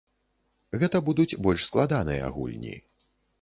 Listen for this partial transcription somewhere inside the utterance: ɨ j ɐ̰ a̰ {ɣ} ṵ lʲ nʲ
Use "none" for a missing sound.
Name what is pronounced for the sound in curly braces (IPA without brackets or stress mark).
ɣ